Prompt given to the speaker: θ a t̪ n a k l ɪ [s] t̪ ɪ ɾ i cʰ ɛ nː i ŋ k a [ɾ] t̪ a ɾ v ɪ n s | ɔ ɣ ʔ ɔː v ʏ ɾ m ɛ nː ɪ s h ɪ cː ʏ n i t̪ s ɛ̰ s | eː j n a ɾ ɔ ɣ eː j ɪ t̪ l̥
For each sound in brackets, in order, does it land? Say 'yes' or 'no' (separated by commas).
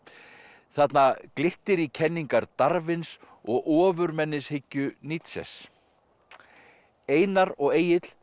no, yes